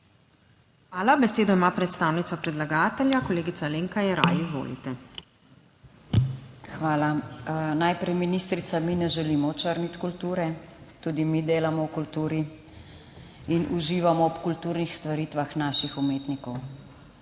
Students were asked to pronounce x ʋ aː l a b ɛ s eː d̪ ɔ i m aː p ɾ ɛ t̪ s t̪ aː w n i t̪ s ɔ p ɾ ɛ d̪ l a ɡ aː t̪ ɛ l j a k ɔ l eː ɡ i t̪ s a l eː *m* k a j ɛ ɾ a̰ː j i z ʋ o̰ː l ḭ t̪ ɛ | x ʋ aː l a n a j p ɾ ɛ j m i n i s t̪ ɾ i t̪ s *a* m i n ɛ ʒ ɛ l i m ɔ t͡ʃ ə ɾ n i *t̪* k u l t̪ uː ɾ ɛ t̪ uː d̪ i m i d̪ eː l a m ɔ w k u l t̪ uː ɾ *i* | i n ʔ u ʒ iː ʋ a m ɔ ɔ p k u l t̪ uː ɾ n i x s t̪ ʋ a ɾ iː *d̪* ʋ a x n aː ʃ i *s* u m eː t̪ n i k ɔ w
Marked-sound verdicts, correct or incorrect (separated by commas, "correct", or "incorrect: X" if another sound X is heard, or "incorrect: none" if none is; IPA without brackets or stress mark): incorrect: ŋ, correct, correct, correct, incorrect: t̪, incorrect: x